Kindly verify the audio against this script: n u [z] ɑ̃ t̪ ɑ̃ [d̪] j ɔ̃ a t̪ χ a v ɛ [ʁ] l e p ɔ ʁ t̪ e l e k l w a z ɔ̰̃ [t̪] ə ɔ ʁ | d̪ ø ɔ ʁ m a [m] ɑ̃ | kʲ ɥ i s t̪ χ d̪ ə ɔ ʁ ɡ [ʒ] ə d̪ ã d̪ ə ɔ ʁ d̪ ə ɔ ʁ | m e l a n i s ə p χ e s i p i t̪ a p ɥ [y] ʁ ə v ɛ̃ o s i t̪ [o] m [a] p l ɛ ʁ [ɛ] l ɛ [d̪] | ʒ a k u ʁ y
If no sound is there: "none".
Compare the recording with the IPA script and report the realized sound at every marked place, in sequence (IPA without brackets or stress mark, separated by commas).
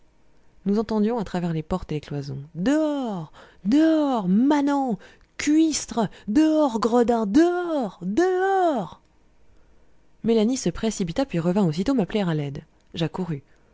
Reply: z, d̪, ʁ, d̪, n, ʁ, i, o, a, a, d̪